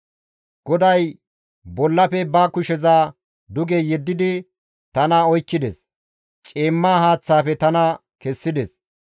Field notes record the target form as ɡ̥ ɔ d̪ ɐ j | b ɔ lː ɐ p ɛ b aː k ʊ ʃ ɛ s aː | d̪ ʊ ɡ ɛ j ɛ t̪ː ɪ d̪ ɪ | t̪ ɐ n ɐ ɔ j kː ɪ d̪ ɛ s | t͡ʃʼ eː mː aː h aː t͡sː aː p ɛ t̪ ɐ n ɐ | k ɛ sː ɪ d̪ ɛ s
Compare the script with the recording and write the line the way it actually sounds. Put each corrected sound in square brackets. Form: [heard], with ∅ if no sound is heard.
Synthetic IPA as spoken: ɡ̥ ɔ d̪ ɐ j | b ɔ lː ɐ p ɛ b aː k ʊ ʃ ɛ [z] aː | d̪ ʊ ɡ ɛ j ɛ [d̪ː] ɪ d̪ ɪ | t̪ ɐ n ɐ ɔ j kː ɪ d̪ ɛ s | t͡ʃʼ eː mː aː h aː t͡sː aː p ɛ t̪ ɐ n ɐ | k ɛ sː ɪ d̪ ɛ s